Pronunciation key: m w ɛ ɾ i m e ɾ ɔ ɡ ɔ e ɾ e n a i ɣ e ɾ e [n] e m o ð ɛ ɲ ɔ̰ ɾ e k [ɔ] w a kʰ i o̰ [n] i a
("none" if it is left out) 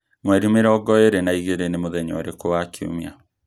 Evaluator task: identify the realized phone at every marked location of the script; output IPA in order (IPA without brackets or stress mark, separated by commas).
n, o, m